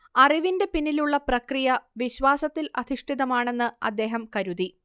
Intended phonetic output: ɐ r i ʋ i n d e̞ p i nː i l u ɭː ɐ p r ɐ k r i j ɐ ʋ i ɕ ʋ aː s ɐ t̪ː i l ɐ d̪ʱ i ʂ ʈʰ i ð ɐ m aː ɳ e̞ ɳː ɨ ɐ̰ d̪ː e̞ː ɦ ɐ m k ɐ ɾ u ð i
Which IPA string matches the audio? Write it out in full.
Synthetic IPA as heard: ɐ r i ʋ i n d e̞ p i nː i l u ɭː ɐ p r ɐ k r i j ɐ ʋ i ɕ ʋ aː s ɐ t̪ː i l ɐ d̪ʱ i ʂ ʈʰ i ð ɐ m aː ɳ e̞ nː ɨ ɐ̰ d̪ː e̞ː ɦ ɐ m k ɐ ɾ u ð i